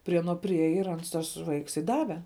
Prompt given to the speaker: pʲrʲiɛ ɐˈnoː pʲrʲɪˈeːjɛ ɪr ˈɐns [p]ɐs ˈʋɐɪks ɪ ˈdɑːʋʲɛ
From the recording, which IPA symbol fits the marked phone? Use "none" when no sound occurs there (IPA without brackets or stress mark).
t